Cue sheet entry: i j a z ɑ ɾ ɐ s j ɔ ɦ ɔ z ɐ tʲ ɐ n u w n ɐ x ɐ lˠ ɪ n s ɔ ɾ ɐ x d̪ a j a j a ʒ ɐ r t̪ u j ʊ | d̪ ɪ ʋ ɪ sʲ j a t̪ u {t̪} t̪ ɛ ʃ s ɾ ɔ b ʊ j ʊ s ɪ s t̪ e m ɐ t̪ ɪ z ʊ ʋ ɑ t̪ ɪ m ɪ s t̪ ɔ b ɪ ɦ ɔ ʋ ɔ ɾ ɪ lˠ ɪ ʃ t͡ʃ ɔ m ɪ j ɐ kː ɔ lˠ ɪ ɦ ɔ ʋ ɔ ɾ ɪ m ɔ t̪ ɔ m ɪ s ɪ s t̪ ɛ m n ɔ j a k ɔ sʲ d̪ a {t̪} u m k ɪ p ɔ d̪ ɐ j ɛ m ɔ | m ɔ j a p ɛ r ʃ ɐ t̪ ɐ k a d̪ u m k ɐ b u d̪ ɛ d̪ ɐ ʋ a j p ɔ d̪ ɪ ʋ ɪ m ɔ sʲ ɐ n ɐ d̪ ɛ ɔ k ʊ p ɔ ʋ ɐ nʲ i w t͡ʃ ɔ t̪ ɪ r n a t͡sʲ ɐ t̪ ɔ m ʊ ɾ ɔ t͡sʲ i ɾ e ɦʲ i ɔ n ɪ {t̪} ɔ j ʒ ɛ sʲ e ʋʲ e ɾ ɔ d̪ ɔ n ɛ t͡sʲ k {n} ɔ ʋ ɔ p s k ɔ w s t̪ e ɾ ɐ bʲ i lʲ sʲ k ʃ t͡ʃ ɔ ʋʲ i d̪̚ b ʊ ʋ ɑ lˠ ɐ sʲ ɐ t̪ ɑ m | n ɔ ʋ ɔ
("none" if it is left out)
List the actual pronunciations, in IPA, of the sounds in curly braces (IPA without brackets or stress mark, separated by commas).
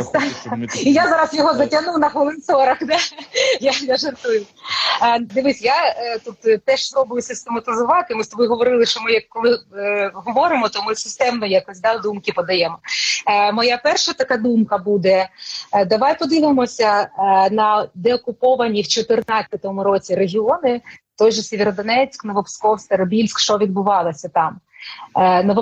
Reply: t̪, d̪, t̪, n